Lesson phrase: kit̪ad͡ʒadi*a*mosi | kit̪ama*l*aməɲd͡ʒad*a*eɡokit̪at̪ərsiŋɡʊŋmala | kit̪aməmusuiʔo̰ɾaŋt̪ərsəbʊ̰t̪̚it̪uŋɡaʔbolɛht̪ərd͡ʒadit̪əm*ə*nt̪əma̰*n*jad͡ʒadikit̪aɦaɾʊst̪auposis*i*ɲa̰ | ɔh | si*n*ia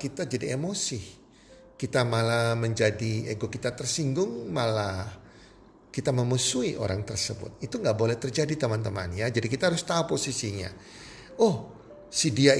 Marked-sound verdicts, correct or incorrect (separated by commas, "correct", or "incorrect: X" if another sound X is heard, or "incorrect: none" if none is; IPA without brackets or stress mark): incorrect: e, correct, incorrect: i, incorrect: a, correct, correct, incorrect: d